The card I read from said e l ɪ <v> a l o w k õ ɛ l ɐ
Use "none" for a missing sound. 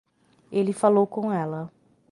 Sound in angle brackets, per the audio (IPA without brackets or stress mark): f